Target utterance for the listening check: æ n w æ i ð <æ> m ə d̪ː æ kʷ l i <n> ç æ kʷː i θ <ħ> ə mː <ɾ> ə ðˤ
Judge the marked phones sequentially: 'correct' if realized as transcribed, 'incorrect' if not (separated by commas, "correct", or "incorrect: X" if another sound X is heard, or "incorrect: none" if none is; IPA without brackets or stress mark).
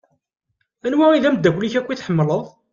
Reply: correct, incorrect: none, correct, incorrect: l